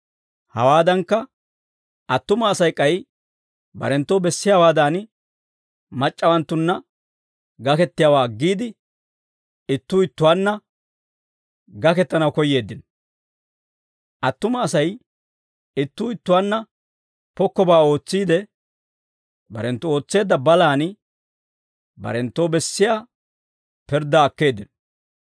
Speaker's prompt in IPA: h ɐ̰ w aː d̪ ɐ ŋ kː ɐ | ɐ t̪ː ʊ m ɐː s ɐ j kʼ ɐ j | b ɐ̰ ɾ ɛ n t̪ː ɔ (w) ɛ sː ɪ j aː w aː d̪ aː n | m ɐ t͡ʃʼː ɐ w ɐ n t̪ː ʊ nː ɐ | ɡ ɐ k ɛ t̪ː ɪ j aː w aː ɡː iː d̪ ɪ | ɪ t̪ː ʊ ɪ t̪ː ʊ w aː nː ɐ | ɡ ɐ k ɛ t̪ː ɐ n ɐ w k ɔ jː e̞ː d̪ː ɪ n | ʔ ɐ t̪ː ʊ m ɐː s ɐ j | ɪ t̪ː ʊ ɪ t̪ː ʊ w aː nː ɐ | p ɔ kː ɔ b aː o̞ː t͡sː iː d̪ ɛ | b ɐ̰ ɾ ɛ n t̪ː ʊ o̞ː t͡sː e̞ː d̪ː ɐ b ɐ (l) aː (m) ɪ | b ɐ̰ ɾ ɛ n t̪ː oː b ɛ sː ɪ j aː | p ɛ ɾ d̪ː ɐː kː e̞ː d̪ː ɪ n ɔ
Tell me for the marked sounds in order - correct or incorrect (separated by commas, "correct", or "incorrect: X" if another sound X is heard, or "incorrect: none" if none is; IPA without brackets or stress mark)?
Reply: incorrect: b, correct, incorrect: n